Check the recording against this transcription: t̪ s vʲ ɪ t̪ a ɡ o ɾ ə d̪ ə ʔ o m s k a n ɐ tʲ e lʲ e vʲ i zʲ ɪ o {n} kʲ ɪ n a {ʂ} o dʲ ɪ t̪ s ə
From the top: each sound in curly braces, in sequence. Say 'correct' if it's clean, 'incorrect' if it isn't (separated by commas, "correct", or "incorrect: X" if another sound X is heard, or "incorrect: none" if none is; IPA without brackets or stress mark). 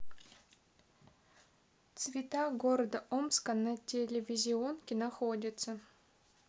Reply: correct, incorrect: x